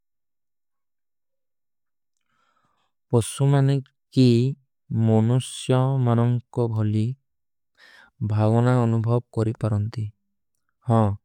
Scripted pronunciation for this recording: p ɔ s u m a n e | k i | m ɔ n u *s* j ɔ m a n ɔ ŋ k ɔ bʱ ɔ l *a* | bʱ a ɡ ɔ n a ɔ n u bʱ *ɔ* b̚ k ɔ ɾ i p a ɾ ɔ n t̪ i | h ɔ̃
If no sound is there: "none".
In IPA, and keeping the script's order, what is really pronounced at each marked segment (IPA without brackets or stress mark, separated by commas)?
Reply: s, i, ɔ